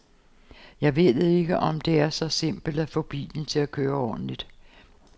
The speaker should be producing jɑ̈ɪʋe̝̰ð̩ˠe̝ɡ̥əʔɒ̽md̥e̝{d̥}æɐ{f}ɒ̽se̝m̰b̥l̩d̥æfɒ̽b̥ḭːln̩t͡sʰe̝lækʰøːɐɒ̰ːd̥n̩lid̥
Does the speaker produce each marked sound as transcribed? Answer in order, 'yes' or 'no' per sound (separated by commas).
no, no